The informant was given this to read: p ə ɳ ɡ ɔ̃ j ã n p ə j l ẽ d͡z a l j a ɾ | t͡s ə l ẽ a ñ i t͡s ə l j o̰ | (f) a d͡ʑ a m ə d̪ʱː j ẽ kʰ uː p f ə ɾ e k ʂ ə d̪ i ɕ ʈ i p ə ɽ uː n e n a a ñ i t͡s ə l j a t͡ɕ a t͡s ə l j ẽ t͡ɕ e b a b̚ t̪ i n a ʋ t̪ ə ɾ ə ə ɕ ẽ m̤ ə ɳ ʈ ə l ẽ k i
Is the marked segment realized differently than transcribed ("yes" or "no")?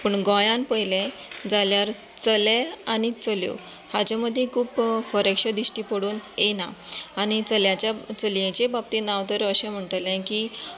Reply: yes